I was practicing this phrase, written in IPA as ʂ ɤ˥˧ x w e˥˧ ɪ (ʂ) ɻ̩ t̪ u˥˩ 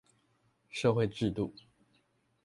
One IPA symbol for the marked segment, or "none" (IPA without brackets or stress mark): ʈ͡ʂ